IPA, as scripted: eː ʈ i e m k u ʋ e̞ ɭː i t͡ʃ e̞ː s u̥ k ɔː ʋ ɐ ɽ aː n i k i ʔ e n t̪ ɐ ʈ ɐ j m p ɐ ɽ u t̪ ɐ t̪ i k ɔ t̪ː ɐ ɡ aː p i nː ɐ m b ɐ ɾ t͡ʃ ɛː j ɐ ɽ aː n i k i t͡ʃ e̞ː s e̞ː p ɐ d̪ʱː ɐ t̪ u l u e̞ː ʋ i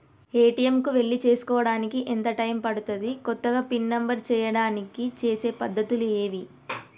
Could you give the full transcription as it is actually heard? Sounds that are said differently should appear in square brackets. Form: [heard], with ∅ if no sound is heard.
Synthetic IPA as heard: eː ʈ i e m k u ʋ e̞ ɭː i t͡ʃ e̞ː s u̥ k ɔː ʋ ɐ ɽ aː n i k i ʔ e n t̪ ɐ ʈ ɐ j m p ɐ ɽ u t̪ ɐ [d̪] i k ɔ t̪ː ɐ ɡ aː p i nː ɐ m b ɐ ɾ t͡ʃ ɛː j ɐ ɽ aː n i k i t͡ʃ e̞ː s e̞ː p ɐ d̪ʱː ɐ t̪ u l u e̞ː ʋ i